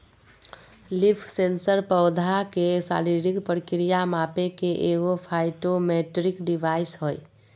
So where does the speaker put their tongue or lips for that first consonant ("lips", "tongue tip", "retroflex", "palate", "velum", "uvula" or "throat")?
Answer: tongue tip